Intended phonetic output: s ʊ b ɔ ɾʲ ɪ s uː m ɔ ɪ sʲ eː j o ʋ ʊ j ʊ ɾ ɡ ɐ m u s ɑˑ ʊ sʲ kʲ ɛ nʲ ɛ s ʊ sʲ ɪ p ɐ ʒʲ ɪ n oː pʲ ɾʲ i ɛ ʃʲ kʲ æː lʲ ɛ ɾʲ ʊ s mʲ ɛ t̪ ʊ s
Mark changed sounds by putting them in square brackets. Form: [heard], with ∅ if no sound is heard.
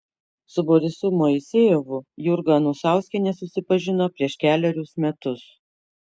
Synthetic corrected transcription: s ʊ b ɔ ɾʲ ɪ s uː m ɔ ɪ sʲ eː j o ʋ ʊ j ʊ ɾ ɡ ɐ [n] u s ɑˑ ʊ sʲ kʲ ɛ nʲ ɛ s ʊ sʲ ɪ p ɐ ʒʲ ɪ n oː pʲ ɾʲ i ɛ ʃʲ kʲ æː lʲ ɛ ɾʲ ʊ s mʲ ɛ t̪ ʊ s